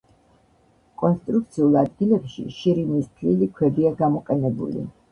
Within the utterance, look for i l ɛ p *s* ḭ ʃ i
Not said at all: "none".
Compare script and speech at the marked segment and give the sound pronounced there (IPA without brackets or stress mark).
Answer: ʃ